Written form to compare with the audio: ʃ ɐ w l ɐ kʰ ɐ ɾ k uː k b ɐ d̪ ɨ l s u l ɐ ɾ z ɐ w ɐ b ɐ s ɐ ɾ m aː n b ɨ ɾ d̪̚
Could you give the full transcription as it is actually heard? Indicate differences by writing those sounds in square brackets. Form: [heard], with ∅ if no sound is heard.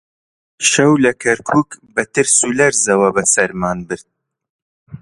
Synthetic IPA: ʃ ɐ w l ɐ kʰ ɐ ɾ [kʰ] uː k b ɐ [t̪] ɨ [ɾ] s u l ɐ ɾ z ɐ w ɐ b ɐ s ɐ ɾ m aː n b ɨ ɾ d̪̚